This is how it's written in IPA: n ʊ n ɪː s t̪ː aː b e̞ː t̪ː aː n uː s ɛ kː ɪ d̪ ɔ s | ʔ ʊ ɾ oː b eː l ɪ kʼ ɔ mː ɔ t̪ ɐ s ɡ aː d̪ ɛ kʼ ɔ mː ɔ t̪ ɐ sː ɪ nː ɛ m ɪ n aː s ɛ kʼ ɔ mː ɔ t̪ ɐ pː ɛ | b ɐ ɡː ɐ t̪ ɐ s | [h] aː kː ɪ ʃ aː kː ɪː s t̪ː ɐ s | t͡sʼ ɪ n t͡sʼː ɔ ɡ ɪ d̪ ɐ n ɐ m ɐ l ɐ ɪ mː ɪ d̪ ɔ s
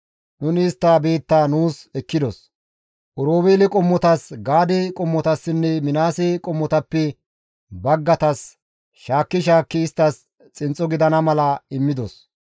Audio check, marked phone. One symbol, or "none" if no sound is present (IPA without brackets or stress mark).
ʃ